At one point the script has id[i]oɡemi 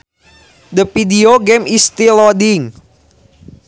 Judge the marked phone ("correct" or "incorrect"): correct